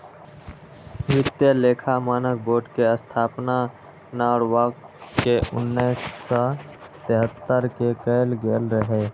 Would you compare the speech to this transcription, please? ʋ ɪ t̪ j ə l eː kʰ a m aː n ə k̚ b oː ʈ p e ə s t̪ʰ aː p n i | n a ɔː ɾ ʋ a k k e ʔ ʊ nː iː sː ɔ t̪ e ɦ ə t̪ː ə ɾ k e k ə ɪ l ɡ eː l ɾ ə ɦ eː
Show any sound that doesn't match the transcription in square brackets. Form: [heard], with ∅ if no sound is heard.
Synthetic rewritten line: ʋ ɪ t̪ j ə l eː kʰ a m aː n ə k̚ b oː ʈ [k] e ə s t̪ʰ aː p n [a] | n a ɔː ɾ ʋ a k k e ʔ ʊ nː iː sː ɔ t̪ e ɦ ə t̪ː ə ɾ k e k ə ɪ l ɡ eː l ɾ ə ɦ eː

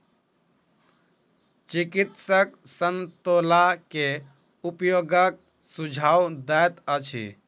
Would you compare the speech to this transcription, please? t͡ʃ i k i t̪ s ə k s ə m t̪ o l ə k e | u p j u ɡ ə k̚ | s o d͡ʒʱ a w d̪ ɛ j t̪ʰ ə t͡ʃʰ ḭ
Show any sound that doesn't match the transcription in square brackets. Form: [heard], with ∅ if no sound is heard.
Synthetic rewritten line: t͡ʃ i k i t̪ s ə k s ə [n] t̪ o l [a] k e | u p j [o] ɡ ə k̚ | s [u] d͡ʒʱ a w d̪ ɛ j [t̪] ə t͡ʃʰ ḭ

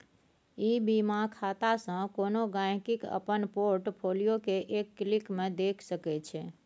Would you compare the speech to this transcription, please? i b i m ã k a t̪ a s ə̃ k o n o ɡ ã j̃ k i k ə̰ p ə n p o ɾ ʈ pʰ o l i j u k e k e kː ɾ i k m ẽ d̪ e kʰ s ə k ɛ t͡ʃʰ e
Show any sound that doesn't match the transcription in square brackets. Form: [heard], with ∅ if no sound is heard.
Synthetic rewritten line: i b i m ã [kʰ] a t̪ a s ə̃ k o n o ɡ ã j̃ k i k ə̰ p ə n p o ɾ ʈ pʰ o l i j [o] k e [ʔ] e kː [l] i k m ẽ d̪ e kʰ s ə k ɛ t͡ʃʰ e

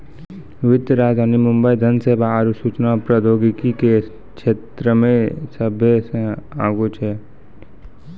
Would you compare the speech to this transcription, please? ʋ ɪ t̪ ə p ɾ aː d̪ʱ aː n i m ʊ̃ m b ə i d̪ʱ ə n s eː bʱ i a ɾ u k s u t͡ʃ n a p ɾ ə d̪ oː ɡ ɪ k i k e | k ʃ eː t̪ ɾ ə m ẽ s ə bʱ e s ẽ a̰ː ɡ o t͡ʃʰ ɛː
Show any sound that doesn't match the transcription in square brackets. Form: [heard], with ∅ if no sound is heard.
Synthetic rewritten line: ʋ ɪ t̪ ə [∅] ɾ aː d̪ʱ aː n i m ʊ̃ m b ə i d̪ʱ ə n s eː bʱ [a] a ɾ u [∅] s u t͡ʃ n a p ɾ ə d̪ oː ɡ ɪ k i k e | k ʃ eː t̪ ɾ ə m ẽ s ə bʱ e s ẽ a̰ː ɡ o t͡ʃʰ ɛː

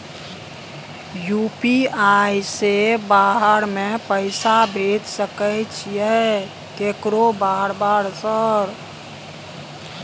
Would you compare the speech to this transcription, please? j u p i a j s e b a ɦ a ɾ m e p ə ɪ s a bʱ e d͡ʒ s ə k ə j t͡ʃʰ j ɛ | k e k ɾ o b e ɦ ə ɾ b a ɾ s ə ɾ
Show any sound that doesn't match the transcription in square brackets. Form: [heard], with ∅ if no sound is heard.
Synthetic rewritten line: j u p i a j s e b a ɦ [ə] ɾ m e p ə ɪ s a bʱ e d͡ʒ s ə k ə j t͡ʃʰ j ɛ | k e k ɾ o b [a] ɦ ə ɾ b a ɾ s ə ɾ

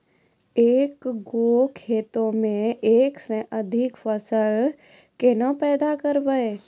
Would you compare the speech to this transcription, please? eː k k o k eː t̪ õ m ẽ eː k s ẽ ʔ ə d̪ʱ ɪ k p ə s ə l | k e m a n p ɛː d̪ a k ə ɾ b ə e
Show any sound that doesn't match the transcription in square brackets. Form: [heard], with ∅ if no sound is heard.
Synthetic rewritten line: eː k [ɡ] o [kʰ] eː t̪ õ m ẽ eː k s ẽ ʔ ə d̪ʱ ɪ k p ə s ə l | k e [n] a [∅] p ɛː d̪ a k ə ɾ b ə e

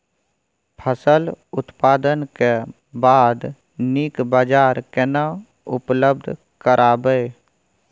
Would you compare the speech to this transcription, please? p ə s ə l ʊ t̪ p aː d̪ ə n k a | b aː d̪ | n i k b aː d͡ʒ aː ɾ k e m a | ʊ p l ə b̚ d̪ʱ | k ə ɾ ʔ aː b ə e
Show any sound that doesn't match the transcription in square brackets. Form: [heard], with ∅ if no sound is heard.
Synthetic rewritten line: [pʰ] ə s ə l ʊ t̪ p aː d̪ ə n k [e] | b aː d̪ | n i k b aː d͡ʒ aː ɾ k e [n] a | ʊ p l ə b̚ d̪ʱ | k ə ɾ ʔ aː b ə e

